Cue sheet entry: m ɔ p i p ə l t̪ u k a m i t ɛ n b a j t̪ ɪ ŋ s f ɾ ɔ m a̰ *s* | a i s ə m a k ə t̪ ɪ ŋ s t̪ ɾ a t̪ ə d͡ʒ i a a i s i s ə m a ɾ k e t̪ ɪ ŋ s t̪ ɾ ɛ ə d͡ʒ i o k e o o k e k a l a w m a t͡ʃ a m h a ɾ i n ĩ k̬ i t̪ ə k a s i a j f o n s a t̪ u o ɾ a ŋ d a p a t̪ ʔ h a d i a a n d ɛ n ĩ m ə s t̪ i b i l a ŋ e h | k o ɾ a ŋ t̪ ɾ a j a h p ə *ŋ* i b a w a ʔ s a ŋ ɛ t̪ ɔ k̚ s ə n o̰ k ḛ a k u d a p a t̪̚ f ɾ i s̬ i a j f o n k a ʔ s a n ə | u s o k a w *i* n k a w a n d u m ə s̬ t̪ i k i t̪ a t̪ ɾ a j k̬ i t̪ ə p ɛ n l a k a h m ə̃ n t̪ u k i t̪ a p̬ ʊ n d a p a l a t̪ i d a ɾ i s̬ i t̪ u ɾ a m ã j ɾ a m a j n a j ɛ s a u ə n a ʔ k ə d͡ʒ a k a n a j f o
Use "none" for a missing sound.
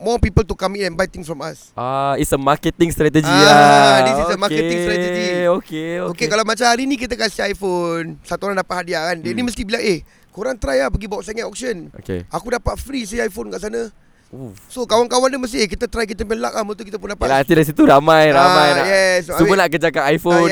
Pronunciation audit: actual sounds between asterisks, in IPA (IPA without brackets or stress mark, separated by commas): s, ɡ, a